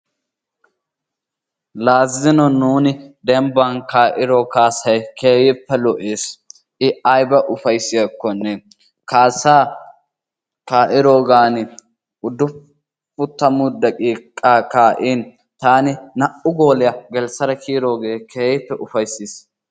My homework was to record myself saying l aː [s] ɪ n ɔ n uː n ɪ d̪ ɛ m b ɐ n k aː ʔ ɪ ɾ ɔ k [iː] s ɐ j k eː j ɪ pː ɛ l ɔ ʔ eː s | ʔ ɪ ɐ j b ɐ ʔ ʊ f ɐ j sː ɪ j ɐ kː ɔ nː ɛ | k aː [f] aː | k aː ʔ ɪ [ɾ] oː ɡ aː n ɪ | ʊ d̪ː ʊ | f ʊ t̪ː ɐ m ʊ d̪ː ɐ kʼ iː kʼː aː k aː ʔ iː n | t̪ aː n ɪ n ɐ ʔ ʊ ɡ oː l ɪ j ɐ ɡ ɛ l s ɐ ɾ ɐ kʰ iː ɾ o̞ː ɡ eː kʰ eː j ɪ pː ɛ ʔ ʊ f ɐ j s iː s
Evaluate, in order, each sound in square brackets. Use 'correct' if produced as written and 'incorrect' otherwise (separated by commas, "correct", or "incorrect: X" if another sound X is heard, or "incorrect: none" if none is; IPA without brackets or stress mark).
incorrect: z, incorrect: aː, incorrect: s, correct